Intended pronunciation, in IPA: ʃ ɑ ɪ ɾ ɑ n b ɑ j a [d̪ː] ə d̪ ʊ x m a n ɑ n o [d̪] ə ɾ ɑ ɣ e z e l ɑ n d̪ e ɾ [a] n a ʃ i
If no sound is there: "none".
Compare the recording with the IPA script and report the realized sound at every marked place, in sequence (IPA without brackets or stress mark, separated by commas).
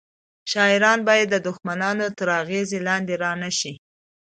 d̪ː, t̪, ɑ